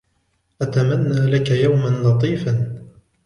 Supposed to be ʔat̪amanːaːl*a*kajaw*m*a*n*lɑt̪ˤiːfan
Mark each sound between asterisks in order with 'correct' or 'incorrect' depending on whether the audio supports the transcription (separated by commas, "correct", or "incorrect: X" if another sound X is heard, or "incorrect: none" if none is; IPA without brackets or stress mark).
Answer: correct, correct, correct